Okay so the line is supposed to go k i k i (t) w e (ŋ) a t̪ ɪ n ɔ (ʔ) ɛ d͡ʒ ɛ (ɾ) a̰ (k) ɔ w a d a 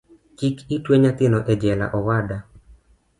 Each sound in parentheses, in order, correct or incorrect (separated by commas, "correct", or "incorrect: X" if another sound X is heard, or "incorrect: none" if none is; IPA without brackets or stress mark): correct, incorrect: ɲ, correct, incorrect: l, incorrect: ʔ